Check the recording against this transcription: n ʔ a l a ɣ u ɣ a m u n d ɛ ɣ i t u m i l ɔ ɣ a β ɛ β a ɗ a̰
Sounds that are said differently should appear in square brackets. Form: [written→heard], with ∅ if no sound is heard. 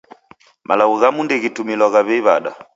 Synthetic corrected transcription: [n→m] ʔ a l a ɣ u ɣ a m u n d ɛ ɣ i t u m i l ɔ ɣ a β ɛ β a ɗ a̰